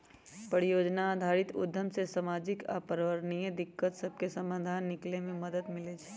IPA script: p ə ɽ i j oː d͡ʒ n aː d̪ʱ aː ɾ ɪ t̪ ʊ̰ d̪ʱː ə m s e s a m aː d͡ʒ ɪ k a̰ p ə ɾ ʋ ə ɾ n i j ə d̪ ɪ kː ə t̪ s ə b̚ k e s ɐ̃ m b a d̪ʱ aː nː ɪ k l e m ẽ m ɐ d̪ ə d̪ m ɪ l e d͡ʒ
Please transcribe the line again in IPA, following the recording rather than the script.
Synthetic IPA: p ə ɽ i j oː d͡ʒ n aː d̪ʱ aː ɾ ɪ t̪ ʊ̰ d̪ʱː ə m s e s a m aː d͡ʒ ɪ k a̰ p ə ɾ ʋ ə ɾ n i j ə d̪ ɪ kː ə t̪ s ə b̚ k e s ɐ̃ m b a d̪ʱ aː nː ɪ k l e m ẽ m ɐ d̪ ə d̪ m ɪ l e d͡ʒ

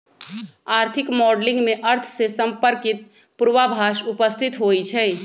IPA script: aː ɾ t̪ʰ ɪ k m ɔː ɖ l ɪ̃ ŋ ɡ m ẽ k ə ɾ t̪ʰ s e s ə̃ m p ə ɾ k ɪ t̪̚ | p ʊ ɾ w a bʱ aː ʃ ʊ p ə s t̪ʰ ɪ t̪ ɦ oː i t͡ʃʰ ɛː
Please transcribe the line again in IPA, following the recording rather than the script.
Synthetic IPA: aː ɾ t̪ʰ ɪ k m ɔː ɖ l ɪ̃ ŋ ɡ m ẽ ʔ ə ɾ t̪ʰ s e s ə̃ m p ə ɾ k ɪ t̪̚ | p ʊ ɾ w a bʱ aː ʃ ʊ p ə s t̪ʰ ɪ t̪ ɦ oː i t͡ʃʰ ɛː

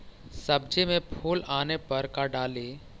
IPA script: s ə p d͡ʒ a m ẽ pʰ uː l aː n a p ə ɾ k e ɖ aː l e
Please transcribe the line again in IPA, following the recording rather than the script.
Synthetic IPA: s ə b d͡ʒ e m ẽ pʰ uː l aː n e p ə ɾ k a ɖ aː l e

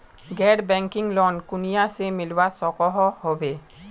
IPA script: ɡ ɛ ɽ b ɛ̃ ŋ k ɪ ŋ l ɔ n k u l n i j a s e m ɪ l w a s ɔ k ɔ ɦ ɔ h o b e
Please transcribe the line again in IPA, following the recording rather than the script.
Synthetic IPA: ɡ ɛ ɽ b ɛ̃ ŋ k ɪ ŋ l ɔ n k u n i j a s e m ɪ l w a s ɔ k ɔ ɦ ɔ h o b e

